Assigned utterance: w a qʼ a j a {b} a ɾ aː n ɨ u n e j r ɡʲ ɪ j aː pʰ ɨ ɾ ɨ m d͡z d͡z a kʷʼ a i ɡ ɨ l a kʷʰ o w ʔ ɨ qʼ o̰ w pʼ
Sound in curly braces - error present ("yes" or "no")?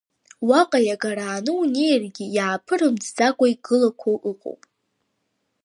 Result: yes